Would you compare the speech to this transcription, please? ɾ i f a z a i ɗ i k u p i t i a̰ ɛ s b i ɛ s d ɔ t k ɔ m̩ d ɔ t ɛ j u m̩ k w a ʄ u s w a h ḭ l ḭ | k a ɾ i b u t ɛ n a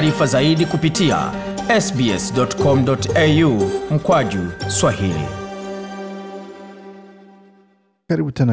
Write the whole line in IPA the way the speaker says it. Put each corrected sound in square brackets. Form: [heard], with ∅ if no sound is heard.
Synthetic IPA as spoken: ɾ i f a z a i ɗ i k u p i t i a̰ ɛ s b i ɛ s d ɔ t k ɔ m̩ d ɔ t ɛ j u m̩ k w a ʄ u s w a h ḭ l ḭ | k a ɾ i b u t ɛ n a